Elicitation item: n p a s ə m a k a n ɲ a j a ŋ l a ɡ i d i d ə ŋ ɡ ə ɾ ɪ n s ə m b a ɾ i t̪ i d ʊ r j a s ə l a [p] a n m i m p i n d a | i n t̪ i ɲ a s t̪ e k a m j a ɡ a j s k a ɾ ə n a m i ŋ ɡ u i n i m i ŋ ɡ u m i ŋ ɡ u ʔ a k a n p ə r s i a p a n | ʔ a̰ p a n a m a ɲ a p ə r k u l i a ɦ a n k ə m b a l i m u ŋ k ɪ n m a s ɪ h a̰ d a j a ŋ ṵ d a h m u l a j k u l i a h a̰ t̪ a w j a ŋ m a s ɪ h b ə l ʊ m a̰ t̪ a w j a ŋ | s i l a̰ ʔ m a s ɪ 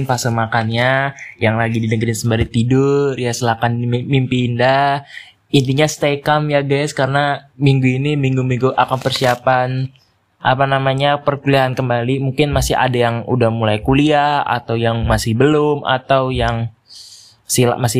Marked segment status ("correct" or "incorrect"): incorrect